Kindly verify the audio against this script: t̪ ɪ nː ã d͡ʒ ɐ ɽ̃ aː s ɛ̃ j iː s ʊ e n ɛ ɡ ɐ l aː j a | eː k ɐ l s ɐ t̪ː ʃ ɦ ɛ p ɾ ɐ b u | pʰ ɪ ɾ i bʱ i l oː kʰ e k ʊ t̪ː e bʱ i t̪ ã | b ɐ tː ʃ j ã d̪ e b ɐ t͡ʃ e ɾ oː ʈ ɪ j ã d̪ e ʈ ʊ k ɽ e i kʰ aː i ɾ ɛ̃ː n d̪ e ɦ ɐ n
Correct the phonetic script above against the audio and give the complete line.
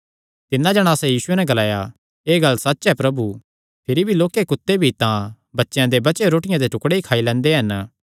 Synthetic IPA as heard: t̪ ɪ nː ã d͡ʒ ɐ ɽ̃ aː s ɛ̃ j iː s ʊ e n ɛ ɡ ɐ l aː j a | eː ɡ ɐ l s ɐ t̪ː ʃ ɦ ɛ p ɾ ɐ b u | pʰ ɪ ɾ i bʱ i l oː k e k ʊ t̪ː e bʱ i t̪ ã | b ɐ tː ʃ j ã d̪ e b ɐ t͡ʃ e ɾ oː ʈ ɪ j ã d̪ e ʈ ʊ k ɽ e i kʰ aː i l ɛ̃ː n d̪ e ɦ ɐ n

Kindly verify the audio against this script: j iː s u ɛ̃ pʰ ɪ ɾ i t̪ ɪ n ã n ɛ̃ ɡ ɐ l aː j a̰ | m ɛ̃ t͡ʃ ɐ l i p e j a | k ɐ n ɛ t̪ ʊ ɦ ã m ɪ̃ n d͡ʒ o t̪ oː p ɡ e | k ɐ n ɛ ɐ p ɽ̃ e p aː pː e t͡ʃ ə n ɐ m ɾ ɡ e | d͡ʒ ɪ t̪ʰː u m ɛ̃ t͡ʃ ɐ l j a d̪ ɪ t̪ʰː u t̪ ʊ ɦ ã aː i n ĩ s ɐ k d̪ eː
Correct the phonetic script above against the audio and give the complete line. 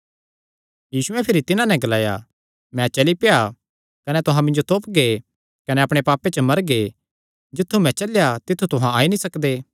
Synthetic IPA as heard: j iː s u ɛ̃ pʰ ɪ ɾ i t̪ ɪ n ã n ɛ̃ ɡ ɐ l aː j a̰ | m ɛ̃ t͡ʃ ɐ l i p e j a | k ɐ n ɛ t̪ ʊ ɦ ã m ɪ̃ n d͡ʒ o t̪ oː p ɡ e | k ɐ n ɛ ɐ p ɽ̃ e p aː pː e t͡ʃ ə m ɐ ɾ ɡ e | d͡ʒ ɪ t̪ʰː u m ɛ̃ t͡ʃ ɐ l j a t̪ ɪ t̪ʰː u t̪ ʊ ɦ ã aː i n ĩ s ɐ k d̪ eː

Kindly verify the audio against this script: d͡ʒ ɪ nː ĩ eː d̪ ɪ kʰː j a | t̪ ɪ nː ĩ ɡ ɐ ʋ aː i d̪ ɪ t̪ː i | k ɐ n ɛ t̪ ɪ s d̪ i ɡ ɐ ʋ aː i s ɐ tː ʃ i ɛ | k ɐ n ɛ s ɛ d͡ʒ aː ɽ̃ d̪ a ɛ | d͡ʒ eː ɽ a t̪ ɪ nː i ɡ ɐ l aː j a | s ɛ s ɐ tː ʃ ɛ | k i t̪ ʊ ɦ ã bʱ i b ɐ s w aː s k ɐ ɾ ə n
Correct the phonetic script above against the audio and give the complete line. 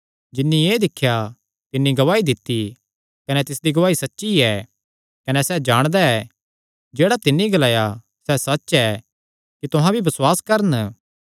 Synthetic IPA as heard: d͡ʒ ɪ nː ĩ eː d̪ ɪ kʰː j a | t̪ ɪ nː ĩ ɡ ɐ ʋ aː i d̪ ɪ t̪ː i | k ɐ n ɛ t̪ ɪ s d̪ i ɡ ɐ ʋ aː i s ɐ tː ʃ i ɛ | k ɐ n ɛ s ɛ d͡ʒ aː ɽ̃ d̪ a ɛ | d͡ʒ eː ɽ a t̪ ɪ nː i ɡ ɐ l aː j a | s ɛ s ɐ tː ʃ ɛ | k i t̪ ʊ ɦ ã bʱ i b ɐ s w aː s k ɐ ɾ ə n

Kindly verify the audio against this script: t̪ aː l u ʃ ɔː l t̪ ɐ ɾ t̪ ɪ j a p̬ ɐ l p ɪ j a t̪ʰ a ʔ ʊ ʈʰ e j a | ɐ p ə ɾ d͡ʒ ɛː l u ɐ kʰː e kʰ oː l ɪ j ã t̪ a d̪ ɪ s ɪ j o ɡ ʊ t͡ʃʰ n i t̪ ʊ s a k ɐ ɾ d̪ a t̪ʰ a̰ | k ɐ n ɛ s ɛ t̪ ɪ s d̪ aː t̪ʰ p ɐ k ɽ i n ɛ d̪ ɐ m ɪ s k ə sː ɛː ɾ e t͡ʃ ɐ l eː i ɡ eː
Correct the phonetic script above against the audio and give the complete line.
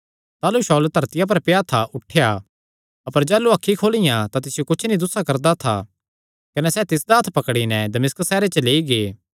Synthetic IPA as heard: t̪ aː l u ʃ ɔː l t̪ ɐ ɾ t̪ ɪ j a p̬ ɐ ɾ p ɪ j a t̪ʰ a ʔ ʊ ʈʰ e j a | ɐ p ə ɾ d͡ʒ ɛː l u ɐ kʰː i kʰ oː l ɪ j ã t̪ a t̪ ɪ s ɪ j o k ʊ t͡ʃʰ n i d̪ ʊ s a k ɐ ɾ d̪ a t̪ʰ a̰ | k ɐ n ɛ s ɛ t̪ ɪ s d̪ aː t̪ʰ p ɐ k ɽ i n ɛ d̪ ɐ m ɪ s k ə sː ɛː ɾ e t͡ʃ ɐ l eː i ɡ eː

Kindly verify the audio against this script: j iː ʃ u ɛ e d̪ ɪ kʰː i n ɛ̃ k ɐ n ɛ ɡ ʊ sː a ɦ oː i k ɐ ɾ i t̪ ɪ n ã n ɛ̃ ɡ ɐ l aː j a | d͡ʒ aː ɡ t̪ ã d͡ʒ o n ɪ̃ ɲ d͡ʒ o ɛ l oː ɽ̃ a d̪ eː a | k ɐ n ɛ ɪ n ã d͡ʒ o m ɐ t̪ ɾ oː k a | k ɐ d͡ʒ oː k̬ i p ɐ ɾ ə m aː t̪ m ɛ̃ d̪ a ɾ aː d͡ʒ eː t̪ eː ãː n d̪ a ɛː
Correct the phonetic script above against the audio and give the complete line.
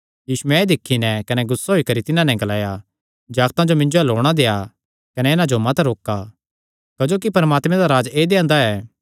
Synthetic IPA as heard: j iː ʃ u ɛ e d̪ ɪ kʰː i n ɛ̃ k ɐ n ɛ ɡ ʊ sː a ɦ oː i k ɐ ɾ i t̪ ɪ n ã n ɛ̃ ɡ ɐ l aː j a | d͡ʒ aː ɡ t̪ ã d͡ʒ o m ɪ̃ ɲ d͡ʒ o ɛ l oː ɽ̃ a d̪ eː a | k ɐ n ɛ ɪ n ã d͡ʒ o m ɐ t̪ ɾ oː k a | k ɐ d͡ʒ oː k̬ i p ɐ ɾ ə m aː t̪ m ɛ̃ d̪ a ɾ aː d͡ʒ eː d̪ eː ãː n d̪ a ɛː

